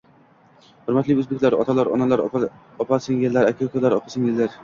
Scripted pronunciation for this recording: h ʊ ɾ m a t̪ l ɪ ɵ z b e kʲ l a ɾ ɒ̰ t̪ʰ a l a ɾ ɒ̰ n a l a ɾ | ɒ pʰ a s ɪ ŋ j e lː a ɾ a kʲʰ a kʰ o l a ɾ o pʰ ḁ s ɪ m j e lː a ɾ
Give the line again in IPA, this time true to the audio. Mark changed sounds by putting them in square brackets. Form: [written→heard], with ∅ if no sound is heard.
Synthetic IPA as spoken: h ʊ ɾ m a t̪ l ɪ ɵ z b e kʲ l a ɾ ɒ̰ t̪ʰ a l a ɾ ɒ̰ n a l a ɾ | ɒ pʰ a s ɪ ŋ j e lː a ɾ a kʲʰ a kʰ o l a ɾ [o→ɒ] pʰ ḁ s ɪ [m→ŋ] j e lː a ɾ